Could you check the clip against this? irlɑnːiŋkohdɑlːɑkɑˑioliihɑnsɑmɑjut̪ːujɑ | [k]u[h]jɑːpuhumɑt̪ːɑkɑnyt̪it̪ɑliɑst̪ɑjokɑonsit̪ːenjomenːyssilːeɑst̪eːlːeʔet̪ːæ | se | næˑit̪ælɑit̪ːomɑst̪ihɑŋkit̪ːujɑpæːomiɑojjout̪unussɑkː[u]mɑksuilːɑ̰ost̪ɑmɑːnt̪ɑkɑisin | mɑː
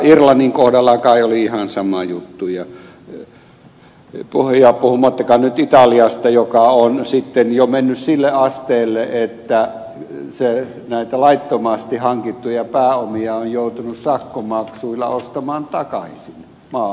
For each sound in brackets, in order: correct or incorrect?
incorrect: p, correct, incorrect: o

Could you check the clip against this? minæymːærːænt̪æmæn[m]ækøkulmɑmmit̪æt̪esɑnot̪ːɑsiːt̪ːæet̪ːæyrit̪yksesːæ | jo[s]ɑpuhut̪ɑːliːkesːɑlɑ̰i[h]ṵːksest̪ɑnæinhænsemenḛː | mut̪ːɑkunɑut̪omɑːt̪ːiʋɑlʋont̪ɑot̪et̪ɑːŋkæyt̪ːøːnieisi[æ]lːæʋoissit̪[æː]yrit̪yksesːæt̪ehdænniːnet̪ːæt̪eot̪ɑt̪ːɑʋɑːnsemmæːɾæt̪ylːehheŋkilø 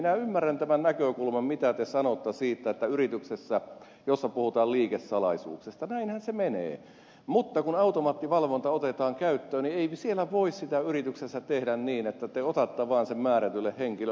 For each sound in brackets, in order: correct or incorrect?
incorrect: n, incorrect: sː, incorrect: s, incorrect: e, incorrect: æ

